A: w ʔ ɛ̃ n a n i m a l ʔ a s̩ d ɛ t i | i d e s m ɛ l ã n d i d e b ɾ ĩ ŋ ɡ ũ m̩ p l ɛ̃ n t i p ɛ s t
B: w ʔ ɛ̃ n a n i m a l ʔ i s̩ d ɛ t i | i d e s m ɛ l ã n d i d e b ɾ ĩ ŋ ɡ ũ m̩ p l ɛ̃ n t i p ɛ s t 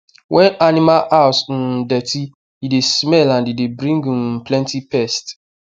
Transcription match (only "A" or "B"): A